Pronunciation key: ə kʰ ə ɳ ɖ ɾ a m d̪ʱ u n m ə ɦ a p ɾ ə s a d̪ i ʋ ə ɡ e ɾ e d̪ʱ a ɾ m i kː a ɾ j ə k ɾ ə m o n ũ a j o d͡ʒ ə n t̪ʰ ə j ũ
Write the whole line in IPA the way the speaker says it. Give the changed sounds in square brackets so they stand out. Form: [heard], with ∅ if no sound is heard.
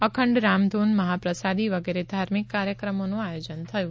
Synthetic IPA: ə kʰ ə ɳ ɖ ɾ a m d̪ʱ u n m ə ɦ a p ɾ ə s a d̪ i ʋ ə ɡ e ɾ e d̪ʱ a ɾ m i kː a ɾ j ə k ɾ ə m o n ũ a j o d͡ʒ ə n t̪ʰ ə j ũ